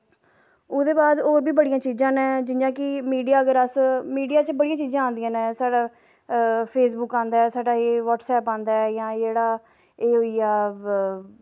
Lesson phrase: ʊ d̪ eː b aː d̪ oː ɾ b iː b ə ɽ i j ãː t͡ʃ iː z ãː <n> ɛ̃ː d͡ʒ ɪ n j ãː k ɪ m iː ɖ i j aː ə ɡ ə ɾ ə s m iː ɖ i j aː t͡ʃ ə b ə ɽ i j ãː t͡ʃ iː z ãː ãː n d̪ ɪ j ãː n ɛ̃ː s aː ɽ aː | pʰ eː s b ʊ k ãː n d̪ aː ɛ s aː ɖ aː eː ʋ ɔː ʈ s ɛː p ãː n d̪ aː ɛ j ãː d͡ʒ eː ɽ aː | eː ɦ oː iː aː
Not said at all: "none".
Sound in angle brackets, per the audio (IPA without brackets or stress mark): n